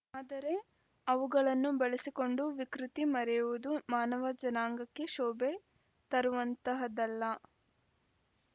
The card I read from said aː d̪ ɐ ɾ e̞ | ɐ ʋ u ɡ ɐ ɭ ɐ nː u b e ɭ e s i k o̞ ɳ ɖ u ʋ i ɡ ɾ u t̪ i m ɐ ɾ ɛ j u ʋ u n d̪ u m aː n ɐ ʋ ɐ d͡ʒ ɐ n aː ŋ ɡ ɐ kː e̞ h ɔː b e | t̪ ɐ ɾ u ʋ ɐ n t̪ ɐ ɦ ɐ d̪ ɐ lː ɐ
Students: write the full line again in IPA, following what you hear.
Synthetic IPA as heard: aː d̪ ɐ ɾ e̞ | ɐ ʋ u ɡ ɐ ɭ ɐ nː u b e ɭ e s i k o̞ ɳ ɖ u ʋ i k ɾ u t̪ i m ɐ ɾ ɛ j u ʋ u d̪ u m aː n ɐ ʋ ɐ d͡ʒ ɐ n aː ŋ ɡ ɐ kː e̞ ʃ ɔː b e | t̪ ɐ ɾ u ʋ ɐ n t̪ ɐ ɦ ɐ d̪ ɐ lː ɐ

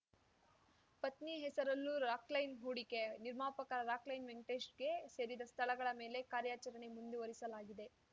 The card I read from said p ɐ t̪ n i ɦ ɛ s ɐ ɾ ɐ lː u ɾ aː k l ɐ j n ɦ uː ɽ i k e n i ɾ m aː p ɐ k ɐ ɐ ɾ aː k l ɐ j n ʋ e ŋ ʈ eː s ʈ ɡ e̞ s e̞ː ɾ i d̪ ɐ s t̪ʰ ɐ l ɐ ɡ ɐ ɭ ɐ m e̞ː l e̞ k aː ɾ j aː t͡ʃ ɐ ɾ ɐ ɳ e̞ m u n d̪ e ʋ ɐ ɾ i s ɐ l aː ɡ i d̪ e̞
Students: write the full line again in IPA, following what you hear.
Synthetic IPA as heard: p ɐ t̪ n i ɦ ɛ s ɐ ɾ ɐ lː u ɾ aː k l ɐ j n ɦ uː ɽ i k e n i ɾ m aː p ɐ k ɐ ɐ ɾ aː k l ɐ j n ʋ e ŋ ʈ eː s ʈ ɡ e̞ s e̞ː ɾ i d̪ ɐ s t̪ʰ ɐ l ɐ ɡ ɐ ɭ ɐ m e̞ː l e̞ k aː ɾ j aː t͡ʃ ɐ ɾ ɐ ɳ e̞ m u n d̪ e ʋ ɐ ɾ i s ɐ l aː ɡ i d̪ e̞

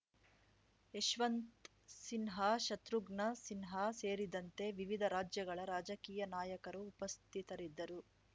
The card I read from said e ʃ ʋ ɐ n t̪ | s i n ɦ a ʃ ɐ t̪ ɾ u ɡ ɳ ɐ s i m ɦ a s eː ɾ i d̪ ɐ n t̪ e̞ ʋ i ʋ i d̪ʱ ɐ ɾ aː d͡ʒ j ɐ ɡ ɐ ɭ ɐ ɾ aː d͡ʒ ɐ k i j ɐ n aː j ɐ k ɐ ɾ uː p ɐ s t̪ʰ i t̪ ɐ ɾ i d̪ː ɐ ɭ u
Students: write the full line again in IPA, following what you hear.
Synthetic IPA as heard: e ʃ ʋ ɐ n t̪ | s i n ɦ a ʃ ɐ t̪ ɾ u ɡ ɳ ɐ s i n ɦ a s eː ɾ i d̪ ɐ n t̪ e̞ ʋ i ʋ i d̪ʱ ɐ ɾ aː d͡ʒ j ɐ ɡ ɐ ɭ ɐ ɾ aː d͡ʒ ɐ k iː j ɐ n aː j ɐ k ɐ ɾ uː p ɐ s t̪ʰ i t̪ ɐ ɾ i d̪ː ɐ ɾ u

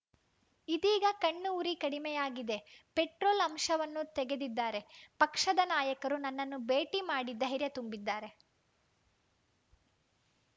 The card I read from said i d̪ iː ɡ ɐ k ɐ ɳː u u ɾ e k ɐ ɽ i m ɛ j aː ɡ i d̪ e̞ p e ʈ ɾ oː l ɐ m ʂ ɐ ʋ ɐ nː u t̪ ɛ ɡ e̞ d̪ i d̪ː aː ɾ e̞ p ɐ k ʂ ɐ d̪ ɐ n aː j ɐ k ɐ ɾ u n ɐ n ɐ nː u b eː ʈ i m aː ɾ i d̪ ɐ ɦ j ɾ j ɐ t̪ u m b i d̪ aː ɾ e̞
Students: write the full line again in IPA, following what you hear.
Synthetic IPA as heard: i d̪ iː ɡ ɐ k ɐ ɳː u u ɾ i k ɐ ɽ i m ɛ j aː ɡ i d̪ e̞ p e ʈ ɾ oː l ɐ m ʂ ɐ ʋ ɐ nː u t̪ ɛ ɡ e̞ d̪ i d̪ː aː ɾ e̞ p ɐ k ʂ ɐ d̪ ɐ n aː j ɐ k ɐ ɾ u n ɐ nː ɐ nː u b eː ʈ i m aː ɽ i d̪ ɐ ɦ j ɾ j ɐ t̪ u m b i d̪ː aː ɾ e̞

